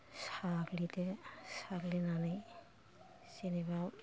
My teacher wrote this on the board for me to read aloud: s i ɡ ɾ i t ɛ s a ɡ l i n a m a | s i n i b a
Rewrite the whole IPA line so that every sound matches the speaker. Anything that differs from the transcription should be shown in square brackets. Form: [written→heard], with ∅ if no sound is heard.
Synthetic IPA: s [i→a] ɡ [ɾ→l] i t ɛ s a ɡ l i n a [m→n] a | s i n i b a